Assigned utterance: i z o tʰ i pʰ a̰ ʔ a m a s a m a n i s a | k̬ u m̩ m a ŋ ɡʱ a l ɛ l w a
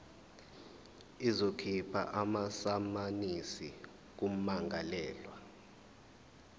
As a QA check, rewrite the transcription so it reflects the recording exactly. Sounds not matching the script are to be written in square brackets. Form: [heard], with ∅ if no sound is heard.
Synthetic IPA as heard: i z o [kʰ] i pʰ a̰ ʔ a m a s a m a n i s [i] | k̬ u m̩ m a ŋ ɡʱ a l [ɛː] l w a